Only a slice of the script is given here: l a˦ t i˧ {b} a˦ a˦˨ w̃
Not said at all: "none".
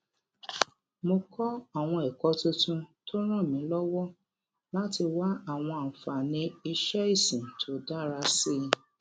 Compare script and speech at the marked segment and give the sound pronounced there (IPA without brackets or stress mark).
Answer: w